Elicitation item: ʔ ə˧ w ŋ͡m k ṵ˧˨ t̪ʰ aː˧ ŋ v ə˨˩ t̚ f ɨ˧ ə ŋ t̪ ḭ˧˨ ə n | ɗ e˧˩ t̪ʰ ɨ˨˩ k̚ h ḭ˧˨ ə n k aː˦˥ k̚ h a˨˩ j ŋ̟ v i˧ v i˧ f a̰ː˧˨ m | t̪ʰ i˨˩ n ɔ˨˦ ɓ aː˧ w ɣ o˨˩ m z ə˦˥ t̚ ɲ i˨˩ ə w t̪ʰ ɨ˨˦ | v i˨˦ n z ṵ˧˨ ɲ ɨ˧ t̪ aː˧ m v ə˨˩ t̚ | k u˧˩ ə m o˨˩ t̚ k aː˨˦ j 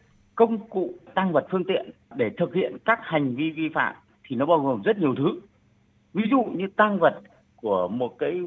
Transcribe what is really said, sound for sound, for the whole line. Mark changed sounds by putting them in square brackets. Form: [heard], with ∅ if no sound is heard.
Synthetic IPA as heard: [k] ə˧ w ŋ͡m k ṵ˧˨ [t̪] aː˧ ŋ v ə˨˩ t̚ f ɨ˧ ə ŋ t̪ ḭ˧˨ ə n | ɗ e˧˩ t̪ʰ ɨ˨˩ k̚ h ḭ˧˨ ə n k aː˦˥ k̚ h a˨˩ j ŋ̟ v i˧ v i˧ f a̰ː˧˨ m | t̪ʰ i˨˩ n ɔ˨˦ ɓ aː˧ w ɣ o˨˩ m z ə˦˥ t̚ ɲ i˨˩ ə w t̪ʰ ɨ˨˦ | v i˨˦ [∅] z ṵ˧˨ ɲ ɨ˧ t̪ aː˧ [ŋ] v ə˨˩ t̚ | k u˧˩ ə m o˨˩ t̚ k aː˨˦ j